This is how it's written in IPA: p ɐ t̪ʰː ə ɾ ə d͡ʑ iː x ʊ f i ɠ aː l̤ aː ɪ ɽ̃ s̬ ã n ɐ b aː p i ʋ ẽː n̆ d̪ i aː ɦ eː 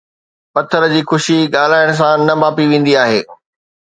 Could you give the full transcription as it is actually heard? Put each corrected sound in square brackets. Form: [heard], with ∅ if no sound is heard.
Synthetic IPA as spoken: p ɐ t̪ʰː ə ɾ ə d͡ʑ iː x ʊ [ʃ] i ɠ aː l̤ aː ɪ ɽ̃ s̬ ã n ɐ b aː p i ʋ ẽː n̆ d̪ i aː ɦ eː